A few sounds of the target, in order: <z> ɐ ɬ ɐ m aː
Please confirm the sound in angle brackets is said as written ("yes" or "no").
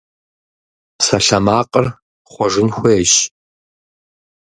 no